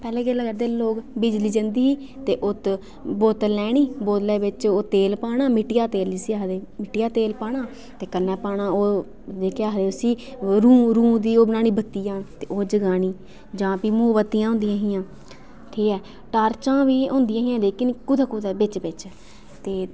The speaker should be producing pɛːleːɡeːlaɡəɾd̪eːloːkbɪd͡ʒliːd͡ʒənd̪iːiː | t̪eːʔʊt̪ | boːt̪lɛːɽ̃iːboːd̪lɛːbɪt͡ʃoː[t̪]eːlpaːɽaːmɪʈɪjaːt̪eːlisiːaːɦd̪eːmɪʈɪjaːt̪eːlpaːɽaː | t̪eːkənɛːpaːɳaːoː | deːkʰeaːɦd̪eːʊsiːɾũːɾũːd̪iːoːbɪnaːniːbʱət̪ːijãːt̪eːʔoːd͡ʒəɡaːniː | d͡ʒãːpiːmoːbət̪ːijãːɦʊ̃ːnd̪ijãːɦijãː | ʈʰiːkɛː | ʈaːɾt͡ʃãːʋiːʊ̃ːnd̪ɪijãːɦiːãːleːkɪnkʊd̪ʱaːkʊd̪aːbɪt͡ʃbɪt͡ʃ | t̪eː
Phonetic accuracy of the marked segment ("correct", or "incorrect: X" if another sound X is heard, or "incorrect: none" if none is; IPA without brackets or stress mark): correct